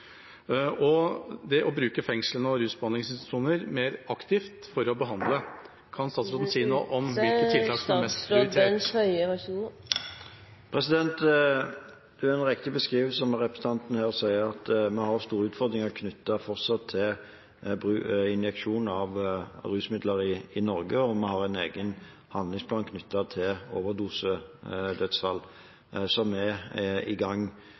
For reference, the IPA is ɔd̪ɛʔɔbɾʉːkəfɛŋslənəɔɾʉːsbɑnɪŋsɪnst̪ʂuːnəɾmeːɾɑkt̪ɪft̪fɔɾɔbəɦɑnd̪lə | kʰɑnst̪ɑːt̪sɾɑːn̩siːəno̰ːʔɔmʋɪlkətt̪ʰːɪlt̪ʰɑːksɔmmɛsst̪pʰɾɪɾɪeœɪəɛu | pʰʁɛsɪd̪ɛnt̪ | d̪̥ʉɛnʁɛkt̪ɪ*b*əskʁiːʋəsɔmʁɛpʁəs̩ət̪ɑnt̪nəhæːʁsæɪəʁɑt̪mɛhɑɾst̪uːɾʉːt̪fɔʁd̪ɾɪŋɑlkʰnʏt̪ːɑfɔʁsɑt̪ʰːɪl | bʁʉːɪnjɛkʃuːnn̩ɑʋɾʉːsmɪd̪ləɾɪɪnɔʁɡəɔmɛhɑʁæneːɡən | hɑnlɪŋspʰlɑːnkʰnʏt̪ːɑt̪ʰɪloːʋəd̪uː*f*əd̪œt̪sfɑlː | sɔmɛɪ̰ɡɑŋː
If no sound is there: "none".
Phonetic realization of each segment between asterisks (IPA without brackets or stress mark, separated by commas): b, s